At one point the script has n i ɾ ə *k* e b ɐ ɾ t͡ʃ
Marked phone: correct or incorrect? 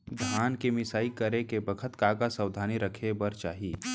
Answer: incorrect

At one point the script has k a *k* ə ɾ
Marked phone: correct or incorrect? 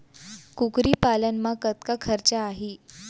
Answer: incorrect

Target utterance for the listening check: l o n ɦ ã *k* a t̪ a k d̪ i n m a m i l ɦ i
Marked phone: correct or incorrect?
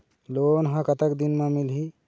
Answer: correct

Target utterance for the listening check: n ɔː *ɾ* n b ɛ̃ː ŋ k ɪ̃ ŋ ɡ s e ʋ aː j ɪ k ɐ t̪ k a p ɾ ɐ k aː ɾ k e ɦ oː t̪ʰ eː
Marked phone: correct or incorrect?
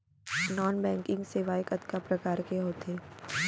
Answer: incorrect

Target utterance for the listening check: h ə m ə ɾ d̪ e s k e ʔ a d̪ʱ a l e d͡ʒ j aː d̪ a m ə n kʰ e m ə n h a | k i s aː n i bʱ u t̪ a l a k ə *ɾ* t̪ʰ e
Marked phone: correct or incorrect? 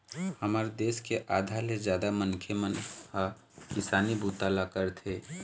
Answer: correct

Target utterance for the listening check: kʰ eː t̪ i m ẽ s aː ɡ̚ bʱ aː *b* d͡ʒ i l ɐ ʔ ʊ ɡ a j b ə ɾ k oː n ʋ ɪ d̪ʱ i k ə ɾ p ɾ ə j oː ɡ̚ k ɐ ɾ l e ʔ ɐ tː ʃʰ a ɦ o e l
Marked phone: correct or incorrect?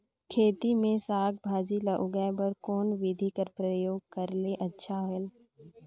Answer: incorrect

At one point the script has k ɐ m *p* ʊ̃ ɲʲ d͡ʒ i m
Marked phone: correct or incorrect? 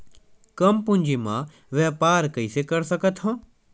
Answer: correct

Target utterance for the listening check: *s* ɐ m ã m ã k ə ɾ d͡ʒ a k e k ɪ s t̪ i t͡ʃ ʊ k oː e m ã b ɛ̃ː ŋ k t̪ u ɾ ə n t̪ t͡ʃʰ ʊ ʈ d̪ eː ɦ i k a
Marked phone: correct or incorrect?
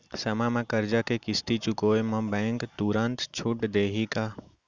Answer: correct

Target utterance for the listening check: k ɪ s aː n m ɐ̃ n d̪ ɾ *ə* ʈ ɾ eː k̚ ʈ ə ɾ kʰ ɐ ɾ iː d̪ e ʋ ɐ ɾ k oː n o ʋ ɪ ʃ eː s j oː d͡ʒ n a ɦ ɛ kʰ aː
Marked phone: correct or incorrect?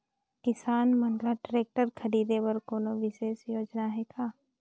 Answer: incorrect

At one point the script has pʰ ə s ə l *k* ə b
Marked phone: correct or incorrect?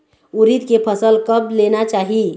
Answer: correct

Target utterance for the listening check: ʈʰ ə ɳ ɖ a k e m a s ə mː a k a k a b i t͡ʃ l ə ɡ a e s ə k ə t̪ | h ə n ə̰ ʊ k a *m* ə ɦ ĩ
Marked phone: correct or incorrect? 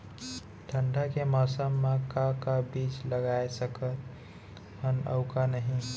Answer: incorrect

